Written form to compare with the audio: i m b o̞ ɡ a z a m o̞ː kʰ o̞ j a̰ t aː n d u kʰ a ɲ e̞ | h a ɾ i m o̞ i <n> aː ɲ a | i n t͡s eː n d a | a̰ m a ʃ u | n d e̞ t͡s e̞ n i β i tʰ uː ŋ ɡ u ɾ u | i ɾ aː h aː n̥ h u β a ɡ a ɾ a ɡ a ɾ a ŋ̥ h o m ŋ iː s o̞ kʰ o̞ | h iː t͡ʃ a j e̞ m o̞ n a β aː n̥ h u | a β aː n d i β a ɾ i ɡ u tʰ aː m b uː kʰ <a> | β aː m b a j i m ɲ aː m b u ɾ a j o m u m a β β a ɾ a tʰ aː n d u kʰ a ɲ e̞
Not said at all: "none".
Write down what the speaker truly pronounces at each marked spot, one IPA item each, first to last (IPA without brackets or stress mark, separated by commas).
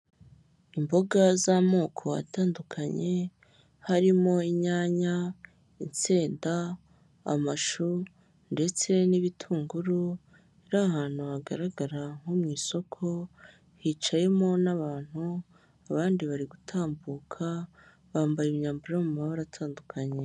ɲ, a